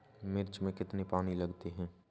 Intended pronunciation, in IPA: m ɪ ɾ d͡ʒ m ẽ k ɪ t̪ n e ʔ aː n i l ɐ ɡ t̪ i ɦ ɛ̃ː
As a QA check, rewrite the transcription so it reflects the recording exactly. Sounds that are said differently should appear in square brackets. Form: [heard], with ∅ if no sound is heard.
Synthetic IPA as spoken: m ɪ ɾ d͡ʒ m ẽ k ɪ t̪ n e [p] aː n i l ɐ ɡ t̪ [e] ɦ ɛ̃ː